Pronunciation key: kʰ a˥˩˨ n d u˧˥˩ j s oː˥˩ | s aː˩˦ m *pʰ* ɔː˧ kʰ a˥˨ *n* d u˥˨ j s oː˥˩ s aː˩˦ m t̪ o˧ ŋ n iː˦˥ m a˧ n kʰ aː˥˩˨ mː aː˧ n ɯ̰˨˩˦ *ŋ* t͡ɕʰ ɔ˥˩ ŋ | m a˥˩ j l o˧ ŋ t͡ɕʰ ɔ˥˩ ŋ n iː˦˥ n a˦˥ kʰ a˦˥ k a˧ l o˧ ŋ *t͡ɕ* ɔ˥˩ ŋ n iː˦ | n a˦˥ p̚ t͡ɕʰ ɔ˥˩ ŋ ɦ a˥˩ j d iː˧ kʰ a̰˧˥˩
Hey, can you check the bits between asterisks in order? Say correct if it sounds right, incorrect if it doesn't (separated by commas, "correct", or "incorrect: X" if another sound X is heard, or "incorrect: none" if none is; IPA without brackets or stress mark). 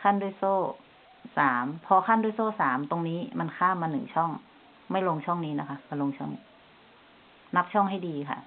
correct, correct, correct, incorrect: t͡ɕʰ